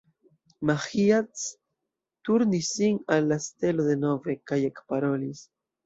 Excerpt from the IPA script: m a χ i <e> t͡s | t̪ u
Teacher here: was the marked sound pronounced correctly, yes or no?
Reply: no